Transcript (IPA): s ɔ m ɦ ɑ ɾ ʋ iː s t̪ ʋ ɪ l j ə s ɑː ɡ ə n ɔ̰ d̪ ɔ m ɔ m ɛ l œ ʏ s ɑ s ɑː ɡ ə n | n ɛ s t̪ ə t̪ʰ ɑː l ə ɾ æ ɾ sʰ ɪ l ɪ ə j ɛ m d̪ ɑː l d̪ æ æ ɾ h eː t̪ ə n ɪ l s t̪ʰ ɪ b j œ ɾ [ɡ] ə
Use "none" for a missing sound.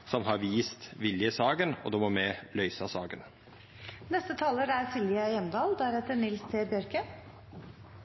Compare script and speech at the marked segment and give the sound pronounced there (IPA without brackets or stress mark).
k